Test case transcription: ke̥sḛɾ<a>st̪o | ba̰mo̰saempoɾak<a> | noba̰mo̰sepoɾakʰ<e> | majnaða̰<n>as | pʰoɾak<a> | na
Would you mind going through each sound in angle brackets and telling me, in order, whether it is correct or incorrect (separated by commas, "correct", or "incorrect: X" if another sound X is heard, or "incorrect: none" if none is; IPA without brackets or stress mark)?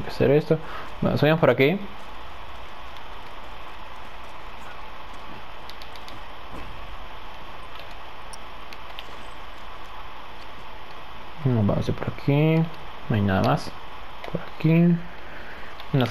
incorrect: e, incorrect: i, incorrect: i, incorrect: m, incorrect: i